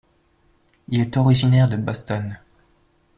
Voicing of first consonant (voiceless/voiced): voiced